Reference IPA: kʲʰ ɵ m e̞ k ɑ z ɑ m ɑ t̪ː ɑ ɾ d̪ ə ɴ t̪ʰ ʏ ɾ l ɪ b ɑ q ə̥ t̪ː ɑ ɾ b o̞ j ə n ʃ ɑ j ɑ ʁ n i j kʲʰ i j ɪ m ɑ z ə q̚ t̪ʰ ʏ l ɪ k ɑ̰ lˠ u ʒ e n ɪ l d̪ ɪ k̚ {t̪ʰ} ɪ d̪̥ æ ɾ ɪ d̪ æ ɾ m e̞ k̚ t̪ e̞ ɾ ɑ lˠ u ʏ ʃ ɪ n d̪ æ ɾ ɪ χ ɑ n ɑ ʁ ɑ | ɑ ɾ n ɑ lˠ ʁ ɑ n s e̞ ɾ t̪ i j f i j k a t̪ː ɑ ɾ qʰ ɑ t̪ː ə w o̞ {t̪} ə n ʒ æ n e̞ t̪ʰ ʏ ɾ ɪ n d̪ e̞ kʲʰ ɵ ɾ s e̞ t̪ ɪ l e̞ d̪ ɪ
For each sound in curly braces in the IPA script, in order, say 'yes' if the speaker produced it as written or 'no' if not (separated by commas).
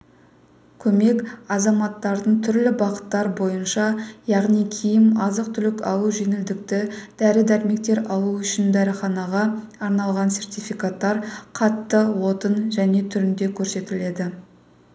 no, yes